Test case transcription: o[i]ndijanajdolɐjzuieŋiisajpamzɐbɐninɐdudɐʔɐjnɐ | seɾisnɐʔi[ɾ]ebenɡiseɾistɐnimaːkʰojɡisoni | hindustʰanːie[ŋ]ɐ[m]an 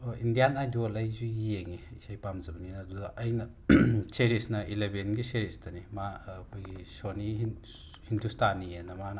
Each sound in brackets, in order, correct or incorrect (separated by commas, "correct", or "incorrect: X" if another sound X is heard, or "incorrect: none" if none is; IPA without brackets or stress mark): correct, incorrect: l, incorrect: n, correct